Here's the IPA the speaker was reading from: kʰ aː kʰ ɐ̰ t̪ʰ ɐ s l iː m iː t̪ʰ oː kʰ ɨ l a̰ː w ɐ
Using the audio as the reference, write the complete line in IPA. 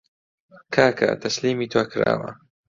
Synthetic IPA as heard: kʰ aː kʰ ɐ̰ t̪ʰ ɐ s l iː m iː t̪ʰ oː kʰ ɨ ɾ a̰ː w ɐ